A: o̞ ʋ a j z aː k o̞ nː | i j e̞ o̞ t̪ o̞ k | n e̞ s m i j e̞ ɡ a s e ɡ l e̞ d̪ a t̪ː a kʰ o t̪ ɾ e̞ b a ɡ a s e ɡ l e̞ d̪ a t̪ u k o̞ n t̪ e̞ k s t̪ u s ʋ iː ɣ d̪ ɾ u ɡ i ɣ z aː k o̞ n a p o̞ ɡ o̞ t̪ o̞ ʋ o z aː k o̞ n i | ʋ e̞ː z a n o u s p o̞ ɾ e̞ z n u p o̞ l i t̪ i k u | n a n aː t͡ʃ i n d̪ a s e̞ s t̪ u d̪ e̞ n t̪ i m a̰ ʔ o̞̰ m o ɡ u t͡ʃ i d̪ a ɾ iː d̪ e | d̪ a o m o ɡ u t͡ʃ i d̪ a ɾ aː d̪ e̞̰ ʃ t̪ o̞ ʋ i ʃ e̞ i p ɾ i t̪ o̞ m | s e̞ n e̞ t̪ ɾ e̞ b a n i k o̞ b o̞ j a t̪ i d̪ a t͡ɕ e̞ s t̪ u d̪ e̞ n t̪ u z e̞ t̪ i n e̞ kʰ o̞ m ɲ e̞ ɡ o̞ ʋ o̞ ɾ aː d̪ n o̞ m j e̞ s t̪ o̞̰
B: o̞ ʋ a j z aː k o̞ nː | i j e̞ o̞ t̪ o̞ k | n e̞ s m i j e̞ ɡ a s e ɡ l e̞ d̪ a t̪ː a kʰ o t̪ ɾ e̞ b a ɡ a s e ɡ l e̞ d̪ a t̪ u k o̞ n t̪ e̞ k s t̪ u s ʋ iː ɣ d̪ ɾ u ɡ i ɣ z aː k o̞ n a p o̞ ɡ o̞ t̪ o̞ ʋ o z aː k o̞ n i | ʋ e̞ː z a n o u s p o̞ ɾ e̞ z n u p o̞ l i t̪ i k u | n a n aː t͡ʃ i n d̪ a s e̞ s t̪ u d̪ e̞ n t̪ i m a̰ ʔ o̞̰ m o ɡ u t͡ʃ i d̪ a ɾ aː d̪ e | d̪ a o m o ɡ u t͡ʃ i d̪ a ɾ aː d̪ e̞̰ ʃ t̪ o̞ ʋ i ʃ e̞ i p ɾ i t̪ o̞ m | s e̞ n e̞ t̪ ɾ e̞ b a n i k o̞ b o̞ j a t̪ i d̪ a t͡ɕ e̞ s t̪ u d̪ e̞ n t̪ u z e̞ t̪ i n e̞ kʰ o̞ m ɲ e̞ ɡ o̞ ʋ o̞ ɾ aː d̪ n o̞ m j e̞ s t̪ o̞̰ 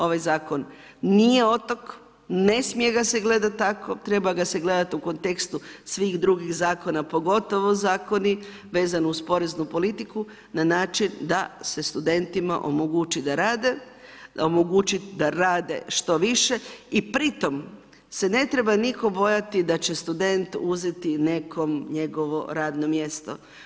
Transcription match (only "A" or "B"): B